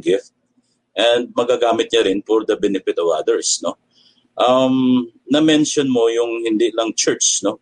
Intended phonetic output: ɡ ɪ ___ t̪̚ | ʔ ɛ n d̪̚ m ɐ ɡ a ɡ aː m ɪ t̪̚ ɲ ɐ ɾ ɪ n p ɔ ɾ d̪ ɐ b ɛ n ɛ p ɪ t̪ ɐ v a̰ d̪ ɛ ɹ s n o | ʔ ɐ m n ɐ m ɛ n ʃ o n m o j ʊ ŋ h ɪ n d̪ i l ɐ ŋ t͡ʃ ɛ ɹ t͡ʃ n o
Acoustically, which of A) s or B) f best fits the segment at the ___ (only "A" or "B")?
B